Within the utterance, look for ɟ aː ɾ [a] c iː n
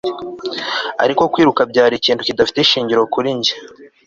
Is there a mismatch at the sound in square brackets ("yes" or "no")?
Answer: yes